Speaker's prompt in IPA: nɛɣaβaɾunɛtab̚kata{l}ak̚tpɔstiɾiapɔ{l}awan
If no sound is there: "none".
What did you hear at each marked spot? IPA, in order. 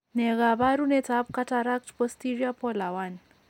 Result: ɾ, l

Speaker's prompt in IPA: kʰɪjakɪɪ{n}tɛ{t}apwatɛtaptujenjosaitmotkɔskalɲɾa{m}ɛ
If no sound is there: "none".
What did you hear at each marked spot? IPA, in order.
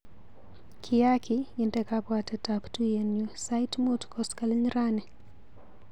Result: n, k, n

